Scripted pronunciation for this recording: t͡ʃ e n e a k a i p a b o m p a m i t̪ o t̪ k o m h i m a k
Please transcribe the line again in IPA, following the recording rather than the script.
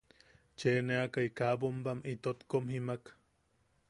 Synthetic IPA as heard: t͡ʃ e n e a k a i k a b o m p a m i t̪ o t̪ k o m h i m a k